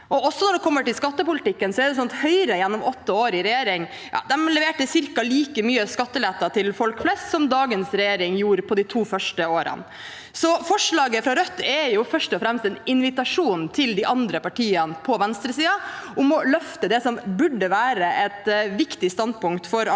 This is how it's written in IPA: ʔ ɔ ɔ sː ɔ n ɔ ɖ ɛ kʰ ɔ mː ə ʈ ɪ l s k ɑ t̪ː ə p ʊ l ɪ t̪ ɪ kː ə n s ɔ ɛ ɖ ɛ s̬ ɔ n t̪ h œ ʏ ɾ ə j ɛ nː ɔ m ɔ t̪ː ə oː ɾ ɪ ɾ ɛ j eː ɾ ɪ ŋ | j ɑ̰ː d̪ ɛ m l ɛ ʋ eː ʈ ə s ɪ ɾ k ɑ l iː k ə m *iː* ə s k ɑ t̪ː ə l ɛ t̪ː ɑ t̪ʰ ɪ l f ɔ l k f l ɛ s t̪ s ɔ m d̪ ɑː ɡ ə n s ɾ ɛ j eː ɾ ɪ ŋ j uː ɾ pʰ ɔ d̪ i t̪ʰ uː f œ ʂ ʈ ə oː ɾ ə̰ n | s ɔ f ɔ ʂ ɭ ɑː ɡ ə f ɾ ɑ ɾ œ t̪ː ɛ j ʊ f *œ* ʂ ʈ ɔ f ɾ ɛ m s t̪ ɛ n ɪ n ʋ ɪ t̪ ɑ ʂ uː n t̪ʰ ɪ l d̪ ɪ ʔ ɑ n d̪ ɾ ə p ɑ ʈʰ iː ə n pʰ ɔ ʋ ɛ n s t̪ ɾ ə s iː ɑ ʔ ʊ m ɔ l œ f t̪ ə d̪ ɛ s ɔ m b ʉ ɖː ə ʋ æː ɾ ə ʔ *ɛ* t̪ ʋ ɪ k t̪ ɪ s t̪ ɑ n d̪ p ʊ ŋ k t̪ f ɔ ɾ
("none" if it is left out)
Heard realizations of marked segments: yː, œ, ɛ

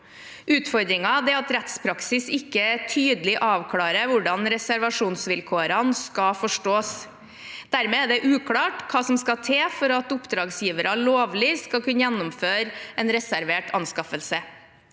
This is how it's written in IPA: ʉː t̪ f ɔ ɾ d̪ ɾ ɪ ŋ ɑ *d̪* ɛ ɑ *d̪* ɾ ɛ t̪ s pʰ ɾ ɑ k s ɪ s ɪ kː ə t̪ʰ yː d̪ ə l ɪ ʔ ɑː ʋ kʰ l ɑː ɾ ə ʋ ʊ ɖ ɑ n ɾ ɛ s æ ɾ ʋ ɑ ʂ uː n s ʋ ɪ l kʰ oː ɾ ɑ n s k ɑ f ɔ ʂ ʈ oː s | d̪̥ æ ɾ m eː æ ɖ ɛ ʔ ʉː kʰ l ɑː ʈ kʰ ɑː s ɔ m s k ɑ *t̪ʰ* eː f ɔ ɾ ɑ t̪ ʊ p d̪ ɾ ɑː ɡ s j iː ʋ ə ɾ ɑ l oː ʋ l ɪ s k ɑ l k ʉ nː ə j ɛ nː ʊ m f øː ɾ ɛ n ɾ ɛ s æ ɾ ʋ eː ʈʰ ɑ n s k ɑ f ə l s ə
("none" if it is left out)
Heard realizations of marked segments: d̪, t̪, t̪ʰ

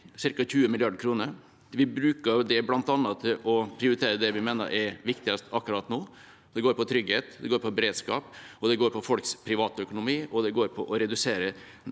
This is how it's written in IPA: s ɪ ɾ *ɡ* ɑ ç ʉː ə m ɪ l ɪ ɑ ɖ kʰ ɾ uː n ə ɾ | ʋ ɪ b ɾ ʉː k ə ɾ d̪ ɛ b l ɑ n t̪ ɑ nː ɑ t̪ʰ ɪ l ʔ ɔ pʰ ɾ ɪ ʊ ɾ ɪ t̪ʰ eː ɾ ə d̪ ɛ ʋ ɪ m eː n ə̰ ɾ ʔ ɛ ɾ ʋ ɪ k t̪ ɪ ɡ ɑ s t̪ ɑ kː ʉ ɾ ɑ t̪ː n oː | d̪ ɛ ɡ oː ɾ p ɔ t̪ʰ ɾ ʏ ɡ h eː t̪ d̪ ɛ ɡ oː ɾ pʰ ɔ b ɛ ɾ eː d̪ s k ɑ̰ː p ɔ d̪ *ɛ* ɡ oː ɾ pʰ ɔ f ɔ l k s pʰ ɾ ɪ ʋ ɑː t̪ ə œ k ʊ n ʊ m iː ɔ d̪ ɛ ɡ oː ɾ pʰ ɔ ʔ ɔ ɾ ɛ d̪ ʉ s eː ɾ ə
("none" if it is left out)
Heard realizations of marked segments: k, ɛ

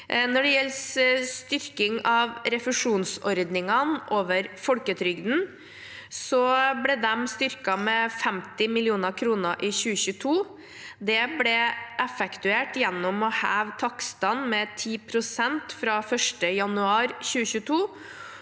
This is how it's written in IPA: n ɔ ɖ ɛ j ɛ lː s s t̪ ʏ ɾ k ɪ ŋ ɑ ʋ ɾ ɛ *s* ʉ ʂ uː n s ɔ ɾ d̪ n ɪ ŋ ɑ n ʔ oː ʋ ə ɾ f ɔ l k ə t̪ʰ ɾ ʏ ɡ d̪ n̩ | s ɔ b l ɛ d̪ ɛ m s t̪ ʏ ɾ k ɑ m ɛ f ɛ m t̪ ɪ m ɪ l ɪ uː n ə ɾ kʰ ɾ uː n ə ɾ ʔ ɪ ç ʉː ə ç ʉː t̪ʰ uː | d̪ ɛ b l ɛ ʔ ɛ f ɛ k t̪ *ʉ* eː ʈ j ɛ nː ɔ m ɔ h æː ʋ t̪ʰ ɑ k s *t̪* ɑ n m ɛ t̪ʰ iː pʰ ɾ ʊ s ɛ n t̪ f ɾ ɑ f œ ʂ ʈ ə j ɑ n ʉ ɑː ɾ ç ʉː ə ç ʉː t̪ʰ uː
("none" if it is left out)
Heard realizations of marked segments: f, ʉ, t̪

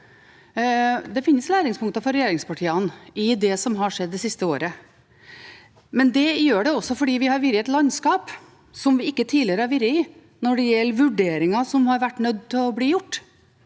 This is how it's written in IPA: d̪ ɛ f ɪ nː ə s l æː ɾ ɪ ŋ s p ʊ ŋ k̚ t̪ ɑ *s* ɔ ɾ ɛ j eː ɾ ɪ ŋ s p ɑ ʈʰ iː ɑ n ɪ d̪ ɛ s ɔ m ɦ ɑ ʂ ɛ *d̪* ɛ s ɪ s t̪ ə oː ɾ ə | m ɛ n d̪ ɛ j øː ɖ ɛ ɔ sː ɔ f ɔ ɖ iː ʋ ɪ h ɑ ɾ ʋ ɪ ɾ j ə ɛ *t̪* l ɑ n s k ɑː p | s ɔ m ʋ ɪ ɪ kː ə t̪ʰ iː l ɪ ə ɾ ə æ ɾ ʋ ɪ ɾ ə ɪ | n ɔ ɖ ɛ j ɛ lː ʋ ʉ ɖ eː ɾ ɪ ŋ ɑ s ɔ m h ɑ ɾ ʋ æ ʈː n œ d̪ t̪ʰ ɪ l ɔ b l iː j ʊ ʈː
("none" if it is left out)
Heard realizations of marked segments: f, d̪ː, t̪

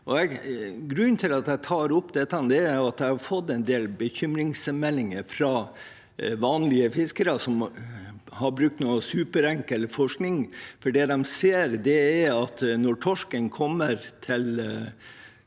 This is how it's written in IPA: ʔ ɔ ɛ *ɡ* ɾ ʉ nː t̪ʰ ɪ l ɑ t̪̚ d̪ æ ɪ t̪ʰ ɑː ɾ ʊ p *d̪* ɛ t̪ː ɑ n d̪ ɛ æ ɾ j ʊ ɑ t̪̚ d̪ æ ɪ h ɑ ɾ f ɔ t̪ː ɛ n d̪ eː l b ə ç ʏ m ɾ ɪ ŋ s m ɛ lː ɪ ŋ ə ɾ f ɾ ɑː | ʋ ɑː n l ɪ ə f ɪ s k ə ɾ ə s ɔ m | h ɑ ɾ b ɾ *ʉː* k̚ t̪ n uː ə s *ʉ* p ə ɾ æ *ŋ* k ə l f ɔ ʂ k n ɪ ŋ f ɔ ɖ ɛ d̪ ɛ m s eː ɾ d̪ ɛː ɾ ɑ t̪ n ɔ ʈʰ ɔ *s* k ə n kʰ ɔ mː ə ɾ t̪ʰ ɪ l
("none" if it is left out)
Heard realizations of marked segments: ɡ, d̪, ʉ, ʉː, ŋ, ʂ

